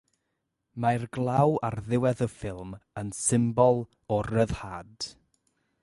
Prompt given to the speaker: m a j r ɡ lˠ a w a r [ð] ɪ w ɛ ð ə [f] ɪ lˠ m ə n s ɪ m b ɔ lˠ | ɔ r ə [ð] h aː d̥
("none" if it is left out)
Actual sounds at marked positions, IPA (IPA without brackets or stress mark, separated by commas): ð, f, ð